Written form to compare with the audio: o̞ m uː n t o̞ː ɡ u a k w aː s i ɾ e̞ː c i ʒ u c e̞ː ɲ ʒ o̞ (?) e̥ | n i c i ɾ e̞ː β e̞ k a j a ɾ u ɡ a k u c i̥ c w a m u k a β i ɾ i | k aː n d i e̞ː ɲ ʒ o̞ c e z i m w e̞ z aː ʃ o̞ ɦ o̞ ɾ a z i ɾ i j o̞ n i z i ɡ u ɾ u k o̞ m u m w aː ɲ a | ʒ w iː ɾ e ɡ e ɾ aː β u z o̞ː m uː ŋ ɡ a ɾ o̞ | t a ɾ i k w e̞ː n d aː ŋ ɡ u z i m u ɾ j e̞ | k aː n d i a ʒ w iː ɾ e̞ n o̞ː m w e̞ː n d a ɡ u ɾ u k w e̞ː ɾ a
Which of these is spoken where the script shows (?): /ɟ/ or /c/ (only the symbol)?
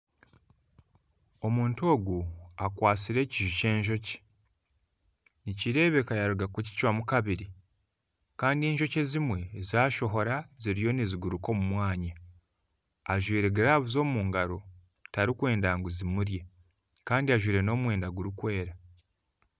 c